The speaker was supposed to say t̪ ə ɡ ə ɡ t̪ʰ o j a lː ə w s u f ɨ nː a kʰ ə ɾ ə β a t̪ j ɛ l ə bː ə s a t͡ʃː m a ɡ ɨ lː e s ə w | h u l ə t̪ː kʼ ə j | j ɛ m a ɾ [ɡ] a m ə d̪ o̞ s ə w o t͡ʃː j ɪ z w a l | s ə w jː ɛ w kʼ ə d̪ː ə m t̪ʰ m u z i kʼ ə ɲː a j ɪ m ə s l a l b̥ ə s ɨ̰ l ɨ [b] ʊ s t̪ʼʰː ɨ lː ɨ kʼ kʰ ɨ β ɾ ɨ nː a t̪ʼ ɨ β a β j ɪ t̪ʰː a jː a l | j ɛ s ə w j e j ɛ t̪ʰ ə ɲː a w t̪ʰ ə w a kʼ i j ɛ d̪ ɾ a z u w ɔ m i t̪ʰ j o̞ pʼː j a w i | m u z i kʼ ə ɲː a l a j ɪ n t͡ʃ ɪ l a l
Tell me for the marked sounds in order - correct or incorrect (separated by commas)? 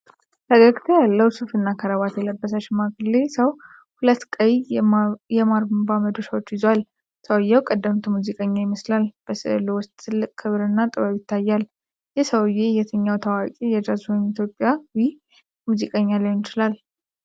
incorrect, incorrect